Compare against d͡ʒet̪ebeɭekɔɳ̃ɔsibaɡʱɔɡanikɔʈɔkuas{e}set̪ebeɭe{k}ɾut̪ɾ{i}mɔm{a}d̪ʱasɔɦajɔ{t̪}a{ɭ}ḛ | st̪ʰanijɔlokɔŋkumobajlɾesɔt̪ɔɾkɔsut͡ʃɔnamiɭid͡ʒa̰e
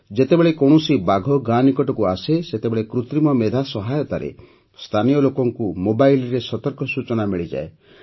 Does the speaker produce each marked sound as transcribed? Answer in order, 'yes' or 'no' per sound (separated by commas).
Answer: yes, yes, yes, no, yes, no